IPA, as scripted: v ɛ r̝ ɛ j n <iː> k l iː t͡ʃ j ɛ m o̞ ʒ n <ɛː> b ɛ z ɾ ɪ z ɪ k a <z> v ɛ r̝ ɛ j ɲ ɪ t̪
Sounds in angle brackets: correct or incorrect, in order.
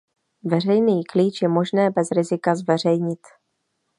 correct, correct, correct

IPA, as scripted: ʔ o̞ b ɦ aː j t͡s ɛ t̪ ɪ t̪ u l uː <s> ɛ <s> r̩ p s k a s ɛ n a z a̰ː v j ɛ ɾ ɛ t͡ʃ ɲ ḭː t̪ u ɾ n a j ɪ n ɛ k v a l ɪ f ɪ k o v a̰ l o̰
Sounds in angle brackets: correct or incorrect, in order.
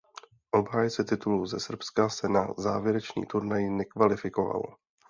incorrect, correct

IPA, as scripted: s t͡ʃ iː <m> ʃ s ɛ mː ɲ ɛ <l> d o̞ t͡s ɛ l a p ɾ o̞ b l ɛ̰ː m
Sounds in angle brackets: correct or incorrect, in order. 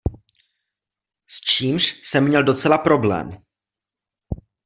correct, correct

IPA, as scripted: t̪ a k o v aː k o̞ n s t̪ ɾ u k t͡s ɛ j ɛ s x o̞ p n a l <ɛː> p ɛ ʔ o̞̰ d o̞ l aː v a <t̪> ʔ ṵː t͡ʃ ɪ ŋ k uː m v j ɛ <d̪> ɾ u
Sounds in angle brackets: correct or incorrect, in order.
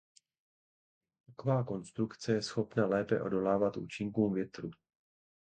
correct, correct, incorrect

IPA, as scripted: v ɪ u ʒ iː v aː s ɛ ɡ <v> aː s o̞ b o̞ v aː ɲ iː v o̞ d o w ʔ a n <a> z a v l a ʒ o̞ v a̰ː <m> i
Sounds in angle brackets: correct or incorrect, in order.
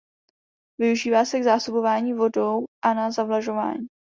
incorrect, correct, incorrect

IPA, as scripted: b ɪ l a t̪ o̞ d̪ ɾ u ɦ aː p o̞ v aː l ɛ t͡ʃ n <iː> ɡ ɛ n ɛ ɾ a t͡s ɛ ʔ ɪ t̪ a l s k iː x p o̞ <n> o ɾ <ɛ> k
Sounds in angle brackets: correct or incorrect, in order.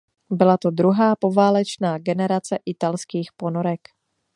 incorrect, correct, correct

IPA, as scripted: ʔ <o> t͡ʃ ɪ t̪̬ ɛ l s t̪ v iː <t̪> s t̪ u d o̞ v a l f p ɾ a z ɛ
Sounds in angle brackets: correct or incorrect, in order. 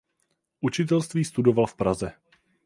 incorrect, incorrect

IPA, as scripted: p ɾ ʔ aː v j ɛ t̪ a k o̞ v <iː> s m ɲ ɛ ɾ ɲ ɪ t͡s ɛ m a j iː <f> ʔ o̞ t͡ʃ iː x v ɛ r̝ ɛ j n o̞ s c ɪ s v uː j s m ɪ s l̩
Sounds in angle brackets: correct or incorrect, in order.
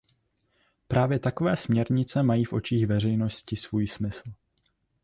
incorrect, correct

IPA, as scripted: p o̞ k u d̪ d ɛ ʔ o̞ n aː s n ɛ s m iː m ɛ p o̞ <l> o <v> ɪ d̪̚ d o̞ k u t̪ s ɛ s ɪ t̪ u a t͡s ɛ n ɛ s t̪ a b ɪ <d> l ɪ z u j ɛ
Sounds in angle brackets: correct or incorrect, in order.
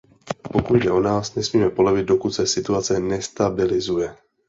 correct, correct, incorrect

